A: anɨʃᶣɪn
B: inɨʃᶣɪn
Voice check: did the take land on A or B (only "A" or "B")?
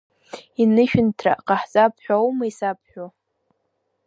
B